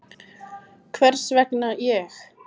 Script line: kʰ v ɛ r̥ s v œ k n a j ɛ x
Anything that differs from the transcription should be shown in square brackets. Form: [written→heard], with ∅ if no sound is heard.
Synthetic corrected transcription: kʰ v ɛ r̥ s v [œ→ɛ] k n a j ɛ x

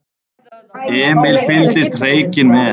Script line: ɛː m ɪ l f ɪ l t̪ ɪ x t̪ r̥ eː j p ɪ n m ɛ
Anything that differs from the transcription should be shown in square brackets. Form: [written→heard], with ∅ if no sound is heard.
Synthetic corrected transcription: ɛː m ɪ l f ɪ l t̪ ɪ [x→s] t̪ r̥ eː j [p→c] ɪ n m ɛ

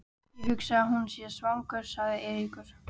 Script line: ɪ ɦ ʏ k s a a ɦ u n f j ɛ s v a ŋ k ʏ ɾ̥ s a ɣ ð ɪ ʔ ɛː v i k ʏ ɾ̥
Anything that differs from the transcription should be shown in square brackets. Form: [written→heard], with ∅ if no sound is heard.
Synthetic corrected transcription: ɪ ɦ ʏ k s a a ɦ u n [f→s] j ɛ s v a ŋ k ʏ ɾ̥ s a ɣ ð ɪ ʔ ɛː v i k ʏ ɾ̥

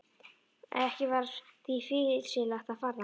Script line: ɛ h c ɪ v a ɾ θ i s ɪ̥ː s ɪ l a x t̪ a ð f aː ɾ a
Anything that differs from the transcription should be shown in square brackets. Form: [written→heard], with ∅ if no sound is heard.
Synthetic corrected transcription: ɛ h c ɪ v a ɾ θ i [s→f] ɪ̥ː s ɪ l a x t̪ a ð f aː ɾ a

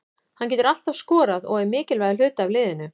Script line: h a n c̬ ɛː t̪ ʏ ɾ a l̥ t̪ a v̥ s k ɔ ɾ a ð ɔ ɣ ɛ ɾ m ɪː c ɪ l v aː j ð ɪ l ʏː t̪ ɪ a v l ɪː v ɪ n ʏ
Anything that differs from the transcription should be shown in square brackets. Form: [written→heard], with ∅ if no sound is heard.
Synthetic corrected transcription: h a n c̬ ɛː t̪ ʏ ɾ a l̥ t̪ a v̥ s k [ɔ→ɔː] ɾ a ð ɔ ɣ ɛ ɾ m ɪː c ɪ l v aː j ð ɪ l ʏː t̪ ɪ a v l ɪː [v→ð] ɪ n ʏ

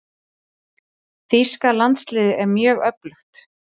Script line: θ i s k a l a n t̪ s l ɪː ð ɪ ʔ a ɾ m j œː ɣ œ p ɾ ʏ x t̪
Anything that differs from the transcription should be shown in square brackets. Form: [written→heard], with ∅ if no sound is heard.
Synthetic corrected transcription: θ i s k a l a n t̪ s l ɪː ð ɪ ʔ [a→ɛ] ɾ m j œː ɣ œ p [ɾ→l] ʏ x t̪

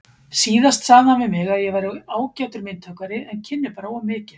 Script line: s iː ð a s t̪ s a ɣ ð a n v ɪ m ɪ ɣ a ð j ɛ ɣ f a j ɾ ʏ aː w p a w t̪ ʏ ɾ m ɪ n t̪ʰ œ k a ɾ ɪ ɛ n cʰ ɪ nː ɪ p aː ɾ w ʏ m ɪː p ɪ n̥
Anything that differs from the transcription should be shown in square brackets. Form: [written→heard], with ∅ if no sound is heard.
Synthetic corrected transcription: s iː ð a s t̪ s a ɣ ð a n v ɪ m ɪ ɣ a ð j ɛ ɣ [f→v] a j ɾ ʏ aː w [p→c] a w t̪ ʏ ɾ m ɪ n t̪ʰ œ k a ɾ ɪ ɛ n cʰ ɪ nː ɪ p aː ɾ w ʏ m ɪː [p→c] ɪ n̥

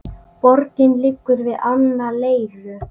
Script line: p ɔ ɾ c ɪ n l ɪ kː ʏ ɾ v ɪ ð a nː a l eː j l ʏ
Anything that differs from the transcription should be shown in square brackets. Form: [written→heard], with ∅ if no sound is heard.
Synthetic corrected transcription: p ɔ ɾ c ɪ n l ɪ kː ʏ ɾ v ɪ ð a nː a l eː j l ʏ

